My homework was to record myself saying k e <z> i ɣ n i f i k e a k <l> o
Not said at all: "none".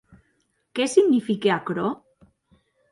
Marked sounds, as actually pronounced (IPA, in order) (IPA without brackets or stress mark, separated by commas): s, ɾ